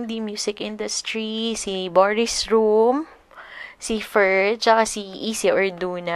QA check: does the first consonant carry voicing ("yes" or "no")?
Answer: yes